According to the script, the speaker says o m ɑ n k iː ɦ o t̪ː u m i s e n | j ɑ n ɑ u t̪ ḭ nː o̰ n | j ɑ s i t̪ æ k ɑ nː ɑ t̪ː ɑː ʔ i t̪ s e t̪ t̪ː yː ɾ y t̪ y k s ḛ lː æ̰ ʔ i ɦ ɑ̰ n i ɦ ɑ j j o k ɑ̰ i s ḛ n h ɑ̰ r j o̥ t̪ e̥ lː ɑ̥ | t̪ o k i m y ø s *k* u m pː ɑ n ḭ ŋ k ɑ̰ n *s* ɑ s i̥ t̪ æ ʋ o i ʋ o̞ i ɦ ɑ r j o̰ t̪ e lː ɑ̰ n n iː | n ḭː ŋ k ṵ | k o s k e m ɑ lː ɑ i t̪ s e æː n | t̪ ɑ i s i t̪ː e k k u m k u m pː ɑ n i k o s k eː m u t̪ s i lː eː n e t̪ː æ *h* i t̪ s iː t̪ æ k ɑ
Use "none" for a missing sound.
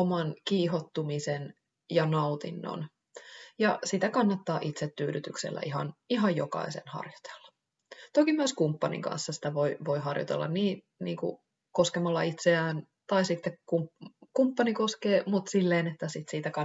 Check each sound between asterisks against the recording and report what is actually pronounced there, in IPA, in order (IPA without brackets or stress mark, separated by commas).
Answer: k, sː, s